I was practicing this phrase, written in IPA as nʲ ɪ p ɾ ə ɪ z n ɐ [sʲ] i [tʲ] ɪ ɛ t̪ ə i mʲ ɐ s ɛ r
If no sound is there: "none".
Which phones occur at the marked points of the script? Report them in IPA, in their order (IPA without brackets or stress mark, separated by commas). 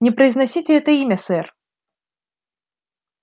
sʲ, tʲ